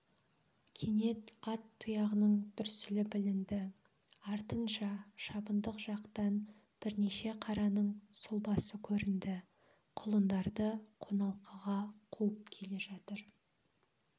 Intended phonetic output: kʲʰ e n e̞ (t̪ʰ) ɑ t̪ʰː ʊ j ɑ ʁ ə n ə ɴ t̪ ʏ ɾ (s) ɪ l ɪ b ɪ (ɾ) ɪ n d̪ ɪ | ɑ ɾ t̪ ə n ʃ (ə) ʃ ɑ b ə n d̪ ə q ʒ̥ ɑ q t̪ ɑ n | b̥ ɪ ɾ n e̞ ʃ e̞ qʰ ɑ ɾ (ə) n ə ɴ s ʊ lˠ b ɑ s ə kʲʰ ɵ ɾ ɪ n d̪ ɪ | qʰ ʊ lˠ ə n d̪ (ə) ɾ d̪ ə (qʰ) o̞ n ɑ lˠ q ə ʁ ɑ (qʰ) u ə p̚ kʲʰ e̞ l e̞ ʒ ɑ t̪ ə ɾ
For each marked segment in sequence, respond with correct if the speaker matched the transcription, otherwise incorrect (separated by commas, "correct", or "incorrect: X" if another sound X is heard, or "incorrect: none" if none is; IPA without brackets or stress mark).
incorrect: t̪, correct, incorrect: l, incorrect: ɑ, incorrect: ɑ, incorrect: ɑ, correct, correct